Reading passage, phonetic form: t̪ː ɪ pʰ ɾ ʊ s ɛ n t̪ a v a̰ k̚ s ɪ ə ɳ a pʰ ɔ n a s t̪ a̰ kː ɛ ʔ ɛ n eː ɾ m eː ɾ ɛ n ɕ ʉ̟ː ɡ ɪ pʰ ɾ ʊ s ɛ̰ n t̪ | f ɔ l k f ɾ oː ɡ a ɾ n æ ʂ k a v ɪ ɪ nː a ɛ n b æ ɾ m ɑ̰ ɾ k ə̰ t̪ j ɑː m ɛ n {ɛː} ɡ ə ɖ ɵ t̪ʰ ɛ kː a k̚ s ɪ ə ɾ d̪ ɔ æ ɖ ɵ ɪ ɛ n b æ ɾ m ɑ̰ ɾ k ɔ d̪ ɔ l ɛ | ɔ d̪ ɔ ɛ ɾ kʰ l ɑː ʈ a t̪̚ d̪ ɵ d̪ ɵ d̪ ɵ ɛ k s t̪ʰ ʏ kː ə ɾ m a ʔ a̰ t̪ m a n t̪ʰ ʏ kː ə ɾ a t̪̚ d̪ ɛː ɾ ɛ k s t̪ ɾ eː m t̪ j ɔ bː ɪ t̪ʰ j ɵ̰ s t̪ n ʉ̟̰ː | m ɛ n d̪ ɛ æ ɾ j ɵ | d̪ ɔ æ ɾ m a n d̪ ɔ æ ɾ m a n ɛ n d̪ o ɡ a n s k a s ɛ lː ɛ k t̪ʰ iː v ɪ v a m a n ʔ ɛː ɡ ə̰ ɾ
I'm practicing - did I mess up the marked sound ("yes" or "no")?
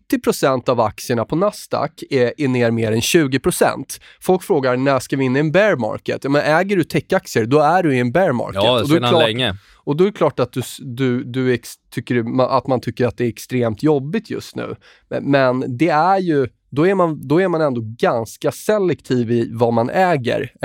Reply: no